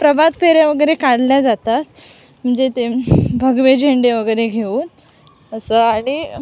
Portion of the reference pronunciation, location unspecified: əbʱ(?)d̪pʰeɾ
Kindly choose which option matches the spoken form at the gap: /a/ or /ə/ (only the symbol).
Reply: a